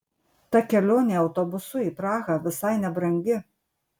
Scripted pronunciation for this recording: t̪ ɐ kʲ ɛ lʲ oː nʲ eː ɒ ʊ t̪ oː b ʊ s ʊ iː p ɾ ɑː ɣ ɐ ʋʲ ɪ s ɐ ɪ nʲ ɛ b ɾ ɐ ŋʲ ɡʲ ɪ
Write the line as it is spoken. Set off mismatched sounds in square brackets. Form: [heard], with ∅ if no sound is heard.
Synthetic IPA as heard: t̪ ɐ kʲ ɛ lʲ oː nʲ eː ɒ ʊ t̪ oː b ʊ s ʊ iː p ɾ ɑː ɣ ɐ ʋʲ ɪ s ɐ ɪ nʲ ɛ b ɾ ɐ ŋʲ ɡʲ ɪ